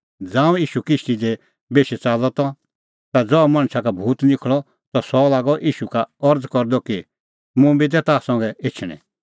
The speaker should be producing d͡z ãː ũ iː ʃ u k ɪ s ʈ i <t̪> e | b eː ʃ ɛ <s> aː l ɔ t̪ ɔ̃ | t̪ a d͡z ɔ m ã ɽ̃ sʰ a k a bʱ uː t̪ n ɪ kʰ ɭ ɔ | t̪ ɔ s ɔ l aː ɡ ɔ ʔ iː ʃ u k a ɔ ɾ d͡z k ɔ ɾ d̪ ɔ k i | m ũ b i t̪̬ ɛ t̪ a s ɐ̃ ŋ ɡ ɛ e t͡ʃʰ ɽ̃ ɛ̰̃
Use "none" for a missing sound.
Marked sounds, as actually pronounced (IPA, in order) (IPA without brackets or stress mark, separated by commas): d̪, t͡s